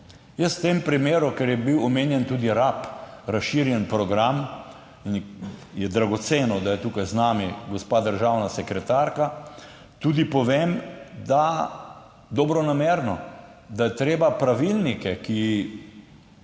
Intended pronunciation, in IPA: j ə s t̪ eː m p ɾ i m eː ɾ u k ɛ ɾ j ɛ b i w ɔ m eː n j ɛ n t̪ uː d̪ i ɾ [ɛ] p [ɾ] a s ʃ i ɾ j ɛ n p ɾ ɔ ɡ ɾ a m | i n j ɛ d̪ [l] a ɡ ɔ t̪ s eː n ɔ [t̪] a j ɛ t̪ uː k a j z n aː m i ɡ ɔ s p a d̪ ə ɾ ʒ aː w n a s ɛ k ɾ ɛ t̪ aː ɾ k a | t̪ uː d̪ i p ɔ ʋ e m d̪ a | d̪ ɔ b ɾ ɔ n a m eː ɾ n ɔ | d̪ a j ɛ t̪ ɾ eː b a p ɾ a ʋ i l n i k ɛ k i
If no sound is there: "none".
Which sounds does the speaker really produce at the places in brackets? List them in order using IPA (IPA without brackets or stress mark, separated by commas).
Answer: a, ɾ, ɾ, d̪